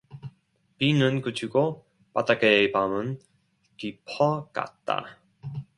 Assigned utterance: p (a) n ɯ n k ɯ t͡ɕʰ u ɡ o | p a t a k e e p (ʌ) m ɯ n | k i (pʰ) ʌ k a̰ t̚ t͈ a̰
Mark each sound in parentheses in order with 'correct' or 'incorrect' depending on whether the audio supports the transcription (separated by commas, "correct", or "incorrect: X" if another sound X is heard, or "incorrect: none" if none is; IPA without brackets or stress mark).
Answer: incorrect: i, incorrect: a, correct